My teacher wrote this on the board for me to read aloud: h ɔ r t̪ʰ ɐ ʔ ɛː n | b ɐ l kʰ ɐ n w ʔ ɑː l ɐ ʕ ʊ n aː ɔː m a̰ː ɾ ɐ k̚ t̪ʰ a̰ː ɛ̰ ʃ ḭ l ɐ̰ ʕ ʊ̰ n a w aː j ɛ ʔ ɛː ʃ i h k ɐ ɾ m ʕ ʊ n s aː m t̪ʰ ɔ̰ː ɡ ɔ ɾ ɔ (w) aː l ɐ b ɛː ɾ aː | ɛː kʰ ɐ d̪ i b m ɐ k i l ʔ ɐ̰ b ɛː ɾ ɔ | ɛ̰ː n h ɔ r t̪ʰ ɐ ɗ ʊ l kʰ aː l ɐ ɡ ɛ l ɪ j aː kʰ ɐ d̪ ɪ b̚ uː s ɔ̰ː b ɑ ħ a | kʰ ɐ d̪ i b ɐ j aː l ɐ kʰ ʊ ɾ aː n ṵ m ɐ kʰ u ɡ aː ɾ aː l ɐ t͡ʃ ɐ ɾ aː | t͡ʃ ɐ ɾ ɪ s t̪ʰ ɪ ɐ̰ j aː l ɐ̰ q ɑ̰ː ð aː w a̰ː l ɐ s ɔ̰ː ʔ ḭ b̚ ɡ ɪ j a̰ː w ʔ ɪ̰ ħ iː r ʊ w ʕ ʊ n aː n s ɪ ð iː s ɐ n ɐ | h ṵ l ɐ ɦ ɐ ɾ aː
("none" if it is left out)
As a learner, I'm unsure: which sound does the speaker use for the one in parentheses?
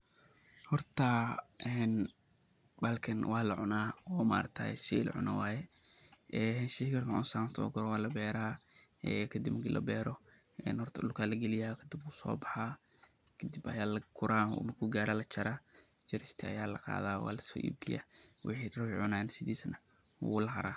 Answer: w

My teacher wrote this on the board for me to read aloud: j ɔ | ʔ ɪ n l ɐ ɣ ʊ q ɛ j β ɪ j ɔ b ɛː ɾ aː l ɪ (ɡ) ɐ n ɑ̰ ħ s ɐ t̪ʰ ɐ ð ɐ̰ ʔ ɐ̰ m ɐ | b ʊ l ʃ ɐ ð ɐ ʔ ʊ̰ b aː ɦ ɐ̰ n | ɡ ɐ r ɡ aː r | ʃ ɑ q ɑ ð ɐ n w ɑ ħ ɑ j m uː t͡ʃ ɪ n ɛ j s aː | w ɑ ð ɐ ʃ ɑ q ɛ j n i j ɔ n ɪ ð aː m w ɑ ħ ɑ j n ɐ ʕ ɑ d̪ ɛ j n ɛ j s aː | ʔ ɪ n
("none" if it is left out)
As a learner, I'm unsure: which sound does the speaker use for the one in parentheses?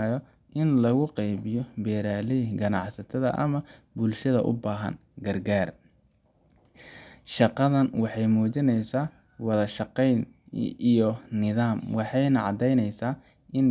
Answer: ɡ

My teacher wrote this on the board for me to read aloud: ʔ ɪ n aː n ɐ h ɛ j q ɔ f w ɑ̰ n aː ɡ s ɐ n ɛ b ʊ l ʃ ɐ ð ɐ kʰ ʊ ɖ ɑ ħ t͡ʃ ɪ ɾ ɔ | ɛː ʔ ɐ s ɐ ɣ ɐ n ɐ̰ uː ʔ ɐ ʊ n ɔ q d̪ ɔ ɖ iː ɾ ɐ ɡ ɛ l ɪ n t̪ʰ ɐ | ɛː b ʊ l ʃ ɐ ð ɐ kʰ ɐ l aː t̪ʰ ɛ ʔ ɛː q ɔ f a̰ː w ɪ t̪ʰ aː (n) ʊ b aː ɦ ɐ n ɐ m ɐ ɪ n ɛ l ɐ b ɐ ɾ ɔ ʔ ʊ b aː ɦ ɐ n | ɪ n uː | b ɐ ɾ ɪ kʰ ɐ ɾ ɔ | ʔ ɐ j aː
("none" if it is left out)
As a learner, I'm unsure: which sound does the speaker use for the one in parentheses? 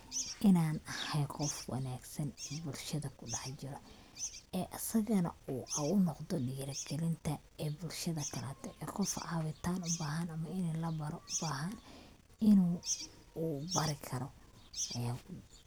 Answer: n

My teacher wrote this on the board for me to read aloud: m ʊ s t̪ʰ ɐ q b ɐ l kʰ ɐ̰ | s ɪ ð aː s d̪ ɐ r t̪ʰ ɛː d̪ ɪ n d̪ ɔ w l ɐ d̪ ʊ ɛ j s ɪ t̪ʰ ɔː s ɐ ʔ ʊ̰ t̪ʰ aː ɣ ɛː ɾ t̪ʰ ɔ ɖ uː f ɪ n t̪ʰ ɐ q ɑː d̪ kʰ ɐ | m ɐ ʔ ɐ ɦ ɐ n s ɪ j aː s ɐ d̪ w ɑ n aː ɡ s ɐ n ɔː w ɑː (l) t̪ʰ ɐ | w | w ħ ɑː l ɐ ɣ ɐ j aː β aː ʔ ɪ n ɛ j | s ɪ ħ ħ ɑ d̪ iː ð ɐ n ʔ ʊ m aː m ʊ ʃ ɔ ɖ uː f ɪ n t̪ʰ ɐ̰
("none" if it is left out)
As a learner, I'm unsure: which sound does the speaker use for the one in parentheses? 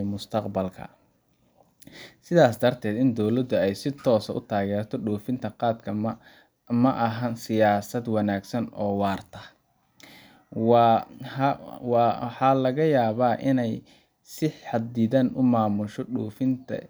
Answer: r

